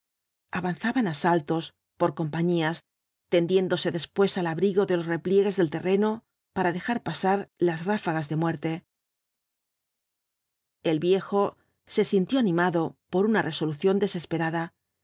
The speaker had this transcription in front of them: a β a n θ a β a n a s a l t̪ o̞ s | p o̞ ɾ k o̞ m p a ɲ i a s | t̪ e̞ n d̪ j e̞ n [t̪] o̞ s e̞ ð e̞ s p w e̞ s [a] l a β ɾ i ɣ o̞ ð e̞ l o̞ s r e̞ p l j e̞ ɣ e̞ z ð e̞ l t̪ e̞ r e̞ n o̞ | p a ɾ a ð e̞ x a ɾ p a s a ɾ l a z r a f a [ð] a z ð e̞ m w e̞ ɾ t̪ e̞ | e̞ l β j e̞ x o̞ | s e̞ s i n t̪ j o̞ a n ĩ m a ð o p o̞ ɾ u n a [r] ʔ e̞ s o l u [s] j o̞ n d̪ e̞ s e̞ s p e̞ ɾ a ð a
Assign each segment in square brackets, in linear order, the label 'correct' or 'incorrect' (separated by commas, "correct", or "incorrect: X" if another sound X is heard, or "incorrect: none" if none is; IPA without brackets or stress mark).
incorrect: d̪, correct, incorrect: ɣ, correct, incorrect: θ